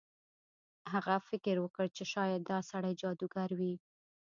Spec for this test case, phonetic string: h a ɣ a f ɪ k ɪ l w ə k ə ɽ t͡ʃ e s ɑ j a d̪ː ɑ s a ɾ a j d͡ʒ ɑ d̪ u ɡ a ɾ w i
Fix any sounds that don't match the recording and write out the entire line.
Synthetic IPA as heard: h a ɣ a f ɪ k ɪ ɾ w ə k ə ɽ t͡ʃ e ʃ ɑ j a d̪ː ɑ s a ɽ a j d͡ʒ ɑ d̪ u ɡ a ɾ w i